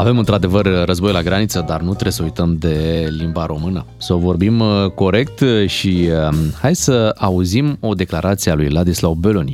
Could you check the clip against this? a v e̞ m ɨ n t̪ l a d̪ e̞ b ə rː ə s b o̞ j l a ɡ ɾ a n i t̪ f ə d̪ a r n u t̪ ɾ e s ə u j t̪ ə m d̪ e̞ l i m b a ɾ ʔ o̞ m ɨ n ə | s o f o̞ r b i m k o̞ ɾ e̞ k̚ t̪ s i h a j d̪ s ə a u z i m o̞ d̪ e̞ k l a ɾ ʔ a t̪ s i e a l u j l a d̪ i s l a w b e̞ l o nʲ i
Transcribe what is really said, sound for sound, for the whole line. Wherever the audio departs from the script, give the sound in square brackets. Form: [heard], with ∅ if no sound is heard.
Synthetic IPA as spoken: a v e̞ m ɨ n t̪ [ɾ] a d̪ e̞ [v] ə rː ə [z] b o̞ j l a ɡ ɾ a n i t̪ [s] ə d̪ a r n u t̪ ɾ e s ə u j t̪ ə m d̪ e̞ l i m b a ɾ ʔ o̞ m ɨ n ə | s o [v] o̞ r b i m k o̞ ɾ e̞ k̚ t̪ [ʃ] i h a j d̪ s ə a u z i m o̞ d̪ e̞ k l a ɾ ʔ a t̪ s i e a l u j l a d̪ i s l a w b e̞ l o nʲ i